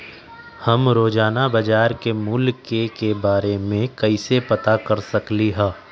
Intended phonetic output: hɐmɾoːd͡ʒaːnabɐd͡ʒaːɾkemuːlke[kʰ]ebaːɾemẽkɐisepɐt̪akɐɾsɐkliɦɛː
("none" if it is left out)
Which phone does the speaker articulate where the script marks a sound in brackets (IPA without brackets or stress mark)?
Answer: k